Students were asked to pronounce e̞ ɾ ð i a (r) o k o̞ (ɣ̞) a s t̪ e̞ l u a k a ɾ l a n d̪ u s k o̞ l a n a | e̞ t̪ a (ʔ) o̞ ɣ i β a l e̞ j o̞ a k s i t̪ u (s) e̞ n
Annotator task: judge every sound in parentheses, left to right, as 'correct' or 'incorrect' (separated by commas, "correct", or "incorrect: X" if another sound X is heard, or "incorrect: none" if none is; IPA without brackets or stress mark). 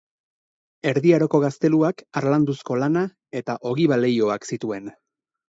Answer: incorrect: ɾ, correct, correct, incorrect: none